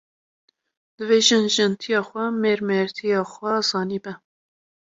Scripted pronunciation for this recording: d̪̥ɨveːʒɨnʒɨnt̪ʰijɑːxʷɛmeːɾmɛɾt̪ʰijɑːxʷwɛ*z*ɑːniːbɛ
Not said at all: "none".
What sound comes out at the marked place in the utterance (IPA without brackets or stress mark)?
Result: z